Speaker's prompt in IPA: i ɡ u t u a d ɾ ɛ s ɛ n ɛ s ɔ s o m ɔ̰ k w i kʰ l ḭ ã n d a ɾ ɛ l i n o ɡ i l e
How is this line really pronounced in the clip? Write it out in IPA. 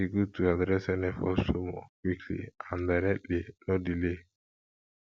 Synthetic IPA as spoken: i ɡ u t u a d ɾ ɛ s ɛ n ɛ f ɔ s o m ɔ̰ k w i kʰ l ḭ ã n d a ɾ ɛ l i n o d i l e